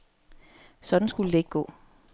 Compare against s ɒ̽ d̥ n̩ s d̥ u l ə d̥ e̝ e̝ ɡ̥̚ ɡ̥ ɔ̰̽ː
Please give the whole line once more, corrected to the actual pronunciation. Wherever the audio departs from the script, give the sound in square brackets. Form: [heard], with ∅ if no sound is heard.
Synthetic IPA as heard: s ɒ̽ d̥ n̩ s [ɡ̥] u l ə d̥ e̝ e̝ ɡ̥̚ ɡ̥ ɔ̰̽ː